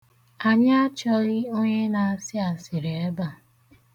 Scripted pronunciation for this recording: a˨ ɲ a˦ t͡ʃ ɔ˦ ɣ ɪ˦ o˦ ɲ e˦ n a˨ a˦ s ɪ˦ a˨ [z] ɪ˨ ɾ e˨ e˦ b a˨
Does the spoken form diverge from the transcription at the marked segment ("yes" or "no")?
yes